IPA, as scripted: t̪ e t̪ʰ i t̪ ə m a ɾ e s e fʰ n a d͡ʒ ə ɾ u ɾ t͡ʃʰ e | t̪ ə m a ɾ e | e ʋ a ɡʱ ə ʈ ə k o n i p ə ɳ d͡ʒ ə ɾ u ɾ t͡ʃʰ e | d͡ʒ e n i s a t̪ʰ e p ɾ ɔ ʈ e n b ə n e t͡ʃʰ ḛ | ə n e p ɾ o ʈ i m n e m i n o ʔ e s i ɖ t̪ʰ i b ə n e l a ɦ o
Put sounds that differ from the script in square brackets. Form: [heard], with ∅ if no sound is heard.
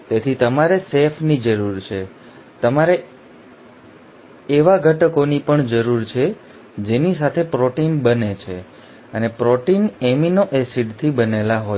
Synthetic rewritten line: t̪ e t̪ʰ i t̪ ə m a ɾ e s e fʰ n [i] d͡ʒ ə ɾ u ɾ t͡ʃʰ e | t̪ ə m a ɾ e | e ʋ a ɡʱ ə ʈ ə k o n i p ə ɳ d͡ʒ ə ɾ u ɾ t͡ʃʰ e | d͡ʒ e n i s a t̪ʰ e p ɾ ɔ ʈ [i] n b ə n e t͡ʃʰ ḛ | ə n e p ɾ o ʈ i [∅] n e m i n o ʔ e s i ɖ t̪ʰ i b ə n e l a ɦ o